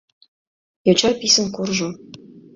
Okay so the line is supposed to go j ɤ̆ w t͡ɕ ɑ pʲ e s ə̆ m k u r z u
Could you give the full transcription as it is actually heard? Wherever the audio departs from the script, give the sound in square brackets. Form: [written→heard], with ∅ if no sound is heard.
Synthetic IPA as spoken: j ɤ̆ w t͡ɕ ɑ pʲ [e→i] s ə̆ [m→n] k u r [z→ʒ] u